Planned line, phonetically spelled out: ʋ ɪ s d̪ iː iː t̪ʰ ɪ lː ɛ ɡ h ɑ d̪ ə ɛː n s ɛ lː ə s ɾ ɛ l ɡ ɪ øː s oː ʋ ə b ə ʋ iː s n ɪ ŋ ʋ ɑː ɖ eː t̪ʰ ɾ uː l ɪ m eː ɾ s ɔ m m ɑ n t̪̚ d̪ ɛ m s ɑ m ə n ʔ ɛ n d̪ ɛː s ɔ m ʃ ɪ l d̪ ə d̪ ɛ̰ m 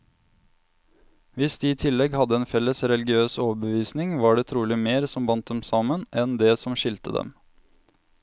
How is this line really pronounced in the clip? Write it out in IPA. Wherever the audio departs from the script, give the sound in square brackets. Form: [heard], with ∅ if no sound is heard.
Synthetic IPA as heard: ʋ ɪ s d̪ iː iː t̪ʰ ɪ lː ɛ ɡ h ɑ d̪ ə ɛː n [f] ɛ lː ə s ɾ ɛ l ɡ ɪ øː s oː ʋ ə b ə ʋ iː s n ɪ ŋ ʋ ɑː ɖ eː t̪ʰ ɾ uː l ɪ m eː ɾ s ɔ m [b] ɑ n t̪̚ d̪ ɛ m s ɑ m ə n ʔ ɛ n d̪ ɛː s ɔ m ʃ ɪ l [t̪] ə d̪ ɛ̰ m